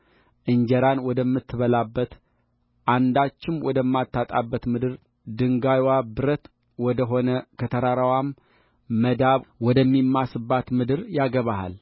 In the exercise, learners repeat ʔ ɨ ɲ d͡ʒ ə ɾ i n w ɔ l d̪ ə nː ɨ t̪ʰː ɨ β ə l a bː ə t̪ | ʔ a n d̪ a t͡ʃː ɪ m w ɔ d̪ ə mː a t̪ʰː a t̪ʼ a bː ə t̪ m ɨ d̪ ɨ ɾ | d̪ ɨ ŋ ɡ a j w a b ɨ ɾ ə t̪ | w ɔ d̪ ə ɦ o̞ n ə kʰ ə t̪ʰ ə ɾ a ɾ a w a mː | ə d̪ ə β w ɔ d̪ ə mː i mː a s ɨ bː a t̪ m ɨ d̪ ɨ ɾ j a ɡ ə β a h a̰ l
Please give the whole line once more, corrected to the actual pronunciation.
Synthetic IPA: ʔ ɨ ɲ d͡ʒ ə ɾ a n w ɔ d̪ ə mː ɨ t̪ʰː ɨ β ə l a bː ə t̪ | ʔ a n d̪ a t͡ʃː ɪ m w ɔ d̪ ə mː a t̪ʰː a t̪ʼ a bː ə t̪ m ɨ d̪ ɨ ɾ | d̪ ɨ ŋ ɡ a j w a b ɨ ɾ ə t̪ | w ɔ d̪ ə ɦ o̞ n ə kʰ ə t̪ʰ ə ɾ a ɾ a w a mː | ə d̪ a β w ɔ d̪ ə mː i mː a s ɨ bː a t̪ m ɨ d̪ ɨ ɾ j a ɡ ə β a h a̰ l